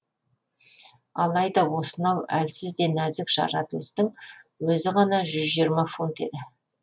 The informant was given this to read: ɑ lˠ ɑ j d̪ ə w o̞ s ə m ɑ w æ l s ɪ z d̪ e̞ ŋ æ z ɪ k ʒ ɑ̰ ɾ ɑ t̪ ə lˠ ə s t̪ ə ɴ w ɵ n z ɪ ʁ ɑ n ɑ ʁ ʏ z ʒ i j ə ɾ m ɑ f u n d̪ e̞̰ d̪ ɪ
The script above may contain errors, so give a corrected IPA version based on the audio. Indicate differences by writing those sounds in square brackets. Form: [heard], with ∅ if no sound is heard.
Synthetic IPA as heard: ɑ lˠ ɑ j d̪ [ɑ] w o̞ s ə [n] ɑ w æ l s ɪ z d̪ e̞ [n] æ z ɪ k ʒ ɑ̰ ɾ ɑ t̪ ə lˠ ə s t̪ ə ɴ w ɵ [∅] z ɪ ʁ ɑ n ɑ [ʒ] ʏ z ʒ i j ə ɾ m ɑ f u n [t̪] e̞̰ d̪ ɪ